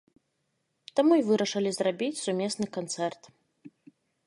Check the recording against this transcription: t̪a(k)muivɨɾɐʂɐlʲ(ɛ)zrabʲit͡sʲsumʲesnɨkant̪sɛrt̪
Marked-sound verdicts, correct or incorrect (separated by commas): incorrect, incorrect